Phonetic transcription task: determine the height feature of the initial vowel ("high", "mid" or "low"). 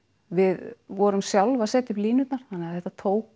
high